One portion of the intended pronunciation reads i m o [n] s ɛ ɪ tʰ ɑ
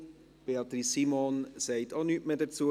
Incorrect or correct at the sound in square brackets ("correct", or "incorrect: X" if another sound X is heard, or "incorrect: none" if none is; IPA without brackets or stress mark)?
correct